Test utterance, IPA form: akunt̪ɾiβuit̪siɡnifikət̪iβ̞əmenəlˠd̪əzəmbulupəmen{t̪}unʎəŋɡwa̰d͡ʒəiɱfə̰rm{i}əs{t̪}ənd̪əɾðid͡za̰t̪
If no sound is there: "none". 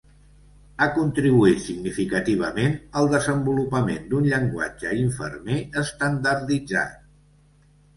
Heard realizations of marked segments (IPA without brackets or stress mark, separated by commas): d̪, e, t̪